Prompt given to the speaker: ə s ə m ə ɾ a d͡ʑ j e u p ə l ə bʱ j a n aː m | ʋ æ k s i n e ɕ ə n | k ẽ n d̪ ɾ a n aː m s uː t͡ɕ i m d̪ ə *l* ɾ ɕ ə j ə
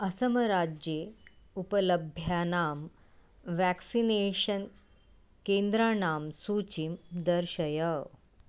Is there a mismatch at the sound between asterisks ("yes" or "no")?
yes